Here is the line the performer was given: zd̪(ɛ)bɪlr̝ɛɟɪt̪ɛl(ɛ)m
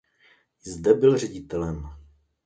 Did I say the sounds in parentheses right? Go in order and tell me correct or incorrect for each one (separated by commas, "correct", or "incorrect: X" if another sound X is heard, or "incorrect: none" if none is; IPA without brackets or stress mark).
correct, correct